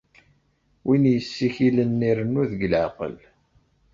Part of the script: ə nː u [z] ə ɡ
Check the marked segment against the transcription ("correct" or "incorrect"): incorrect